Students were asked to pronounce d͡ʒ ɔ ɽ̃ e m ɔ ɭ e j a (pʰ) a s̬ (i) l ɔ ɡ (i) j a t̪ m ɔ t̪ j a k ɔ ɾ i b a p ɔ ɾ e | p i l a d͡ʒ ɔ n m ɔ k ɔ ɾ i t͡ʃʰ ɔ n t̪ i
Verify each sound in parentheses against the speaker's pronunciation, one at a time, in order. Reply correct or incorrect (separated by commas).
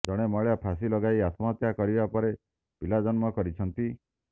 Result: correct, correct, incorrect